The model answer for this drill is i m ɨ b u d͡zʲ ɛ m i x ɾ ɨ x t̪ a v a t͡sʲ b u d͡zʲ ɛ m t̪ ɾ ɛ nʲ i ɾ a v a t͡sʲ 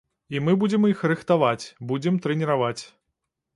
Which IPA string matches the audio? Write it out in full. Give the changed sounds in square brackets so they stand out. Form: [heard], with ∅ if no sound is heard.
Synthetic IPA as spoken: i m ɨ b u d͡zʲ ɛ m i x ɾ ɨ x t̪ a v a t͡sʲ b u d͡zʲ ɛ m t̪ ɾ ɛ nʲ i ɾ a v a t͡sʲ